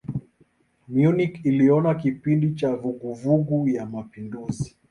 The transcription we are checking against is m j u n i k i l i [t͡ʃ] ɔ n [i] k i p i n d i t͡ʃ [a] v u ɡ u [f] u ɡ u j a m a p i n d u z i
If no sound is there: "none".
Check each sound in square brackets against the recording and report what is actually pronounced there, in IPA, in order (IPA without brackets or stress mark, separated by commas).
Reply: none, a, a, v